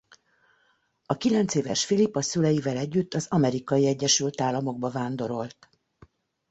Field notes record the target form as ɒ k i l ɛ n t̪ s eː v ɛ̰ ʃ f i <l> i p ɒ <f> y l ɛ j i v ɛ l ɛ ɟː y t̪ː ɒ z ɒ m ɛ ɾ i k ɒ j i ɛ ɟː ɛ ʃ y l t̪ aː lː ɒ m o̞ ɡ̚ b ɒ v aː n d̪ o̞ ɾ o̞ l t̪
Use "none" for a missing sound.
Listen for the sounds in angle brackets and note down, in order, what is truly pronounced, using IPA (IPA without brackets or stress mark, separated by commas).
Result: l, s